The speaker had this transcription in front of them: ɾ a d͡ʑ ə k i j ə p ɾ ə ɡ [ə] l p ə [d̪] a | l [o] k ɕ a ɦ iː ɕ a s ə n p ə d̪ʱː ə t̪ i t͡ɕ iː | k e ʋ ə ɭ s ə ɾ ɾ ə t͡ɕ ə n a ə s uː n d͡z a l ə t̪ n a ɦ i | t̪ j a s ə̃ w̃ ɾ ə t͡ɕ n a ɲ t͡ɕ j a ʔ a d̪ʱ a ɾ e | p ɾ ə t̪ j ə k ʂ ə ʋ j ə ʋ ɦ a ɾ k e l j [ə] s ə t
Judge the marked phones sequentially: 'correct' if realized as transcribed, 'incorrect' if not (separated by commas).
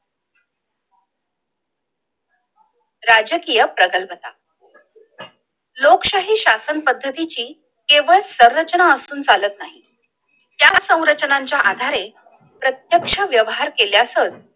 correct, incorrect, correct, incorrect